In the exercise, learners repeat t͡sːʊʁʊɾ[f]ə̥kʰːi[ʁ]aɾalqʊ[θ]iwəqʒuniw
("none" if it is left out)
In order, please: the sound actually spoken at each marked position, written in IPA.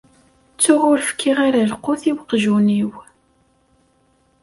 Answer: f, ʁ, θ

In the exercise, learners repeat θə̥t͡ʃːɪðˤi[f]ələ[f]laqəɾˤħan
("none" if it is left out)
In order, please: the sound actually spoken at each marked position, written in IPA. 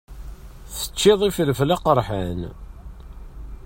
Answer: f, f

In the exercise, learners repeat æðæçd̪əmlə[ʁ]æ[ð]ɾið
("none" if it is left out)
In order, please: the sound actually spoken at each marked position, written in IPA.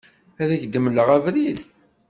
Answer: ʁ, v

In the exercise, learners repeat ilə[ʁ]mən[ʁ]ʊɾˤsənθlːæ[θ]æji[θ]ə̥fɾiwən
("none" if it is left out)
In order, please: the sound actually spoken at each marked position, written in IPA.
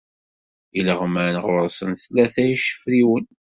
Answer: ʁ, ʁ, θ, ʃ

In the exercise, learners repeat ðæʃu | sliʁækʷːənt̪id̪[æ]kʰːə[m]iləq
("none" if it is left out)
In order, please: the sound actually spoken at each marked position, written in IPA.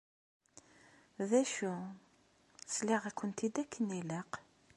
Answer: æ, n

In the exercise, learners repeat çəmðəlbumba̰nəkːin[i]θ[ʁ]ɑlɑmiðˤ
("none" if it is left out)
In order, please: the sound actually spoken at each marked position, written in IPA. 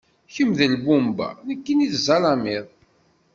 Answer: i, z

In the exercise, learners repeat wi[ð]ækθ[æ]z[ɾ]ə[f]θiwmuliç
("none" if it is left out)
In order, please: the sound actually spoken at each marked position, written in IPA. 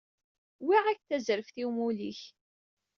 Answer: ʁ, æ, ɾ, f

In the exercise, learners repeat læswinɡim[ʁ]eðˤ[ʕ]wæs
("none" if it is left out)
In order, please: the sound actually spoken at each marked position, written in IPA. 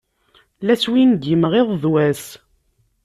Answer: ʁ, ð

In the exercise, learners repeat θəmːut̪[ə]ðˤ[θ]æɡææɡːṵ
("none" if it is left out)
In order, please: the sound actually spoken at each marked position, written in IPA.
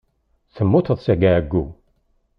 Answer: ə, s

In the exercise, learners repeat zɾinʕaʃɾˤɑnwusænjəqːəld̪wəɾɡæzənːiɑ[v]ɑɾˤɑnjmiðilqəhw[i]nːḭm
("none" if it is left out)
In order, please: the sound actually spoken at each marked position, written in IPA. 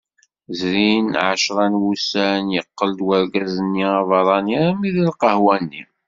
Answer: v, æ

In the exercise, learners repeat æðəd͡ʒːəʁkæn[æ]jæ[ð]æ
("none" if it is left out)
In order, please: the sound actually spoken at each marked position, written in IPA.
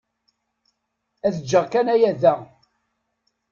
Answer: æ, ð

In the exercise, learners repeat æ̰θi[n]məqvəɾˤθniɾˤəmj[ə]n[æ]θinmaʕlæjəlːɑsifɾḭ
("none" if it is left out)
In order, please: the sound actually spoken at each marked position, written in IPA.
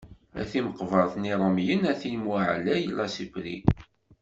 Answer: none, ə, æ

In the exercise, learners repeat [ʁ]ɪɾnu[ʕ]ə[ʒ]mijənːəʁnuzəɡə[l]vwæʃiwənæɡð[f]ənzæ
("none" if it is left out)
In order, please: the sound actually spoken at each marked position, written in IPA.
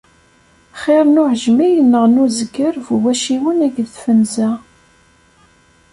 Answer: χ, ʕ, ʒ, ɾ, f

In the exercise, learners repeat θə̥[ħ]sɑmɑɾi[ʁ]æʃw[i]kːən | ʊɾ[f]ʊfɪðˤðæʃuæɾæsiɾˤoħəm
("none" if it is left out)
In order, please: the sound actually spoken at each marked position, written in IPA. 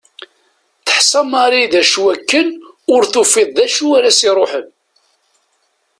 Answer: ħ, ð, æ, θ

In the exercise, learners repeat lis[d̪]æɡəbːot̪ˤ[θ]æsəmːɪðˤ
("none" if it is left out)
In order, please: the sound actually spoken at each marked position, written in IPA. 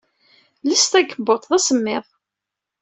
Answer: t̪, ð

